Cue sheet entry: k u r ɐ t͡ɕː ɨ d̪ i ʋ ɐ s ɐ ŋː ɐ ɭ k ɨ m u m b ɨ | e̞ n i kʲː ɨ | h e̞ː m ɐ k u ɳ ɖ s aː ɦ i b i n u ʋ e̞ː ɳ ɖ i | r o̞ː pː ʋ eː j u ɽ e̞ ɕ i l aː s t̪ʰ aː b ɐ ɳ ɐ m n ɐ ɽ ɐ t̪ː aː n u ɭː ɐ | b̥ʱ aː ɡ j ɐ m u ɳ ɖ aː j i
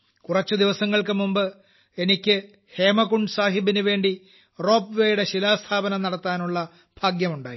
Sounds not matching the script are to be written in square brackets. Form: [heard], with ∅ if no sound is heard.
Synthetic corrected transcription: k u r ɐ t͡ɕː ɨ d̪ i ʋ ɐ s ɐ ŋː ɐ ɭ k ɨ m u m b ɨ | e̞ n i kʲː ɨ | h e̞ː m ɐ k u ɳ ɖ s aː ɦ i b i n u ʋ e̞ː ɳ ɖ i | r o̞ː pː ʋ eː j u ɽ e̞ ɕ i l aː s t̪ʰ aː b ɐ [n] ɐ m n ɐ ɽ ɐ t̪ː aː n u ɭː ɐ | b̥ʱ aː ɡ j ɐ m u ɳ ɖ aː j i